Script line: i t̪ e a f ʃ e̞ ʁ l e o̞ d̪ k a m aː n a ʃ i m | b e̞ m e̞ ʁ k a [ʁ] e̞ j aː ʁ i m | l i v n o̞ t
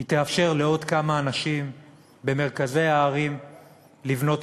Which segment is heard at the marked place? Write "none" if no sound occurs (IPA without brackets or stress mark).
z